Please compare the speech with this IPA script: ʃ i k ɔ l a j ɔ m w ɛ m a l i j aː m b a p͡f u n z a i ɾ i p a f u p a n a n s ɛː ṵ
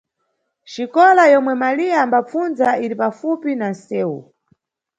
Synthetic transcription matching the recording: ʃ i k ɔ l a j ɔ m w ɛ m a l i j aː m b a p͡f u n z a i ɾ i p a f u p i n a n s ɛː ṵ